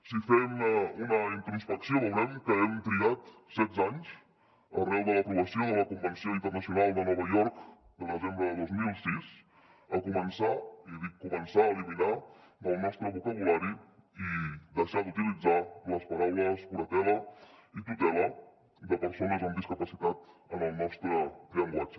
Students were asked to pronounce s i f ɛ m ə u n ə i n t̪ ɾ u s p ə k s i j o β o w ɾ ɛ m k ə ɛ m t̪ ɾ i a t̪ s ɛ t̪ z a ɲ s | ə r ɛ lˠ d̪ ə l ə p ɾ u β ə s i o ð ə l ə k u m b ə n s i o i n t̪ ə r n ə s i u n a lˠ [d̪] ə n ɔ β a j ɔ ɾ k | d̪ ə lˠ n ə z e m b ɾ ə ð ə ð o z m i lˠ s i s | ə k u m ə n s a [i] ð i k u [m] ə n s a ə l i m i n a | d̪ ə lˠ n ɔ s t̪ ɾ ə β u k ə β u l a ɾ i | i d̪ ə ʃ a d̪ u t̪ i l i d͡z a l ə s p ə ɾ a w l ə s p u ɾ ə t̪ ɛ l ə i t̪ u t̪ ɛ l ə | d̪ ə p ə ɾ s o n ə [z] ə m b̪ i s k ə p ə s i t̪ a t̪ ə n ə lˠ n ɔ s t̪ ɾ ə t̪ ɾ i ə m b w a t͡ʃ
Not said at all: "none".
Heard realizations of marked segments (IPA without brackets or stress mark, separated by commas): d̪, i, m, z